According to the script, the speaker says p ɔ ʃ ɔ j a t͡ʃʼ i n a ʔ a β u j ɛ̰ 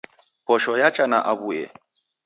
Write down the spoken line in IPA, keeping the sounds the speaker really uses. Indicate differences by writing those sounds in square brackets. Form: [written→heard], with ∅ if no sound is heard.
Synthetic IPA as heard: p ɔ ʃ ɔ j a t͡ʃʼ [i→a] n a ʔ a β u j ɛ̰